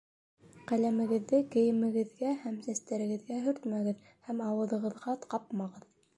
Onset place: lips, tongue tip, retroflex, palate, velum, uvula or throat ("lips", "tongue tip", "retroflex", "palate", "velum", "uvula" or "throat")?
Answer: uvula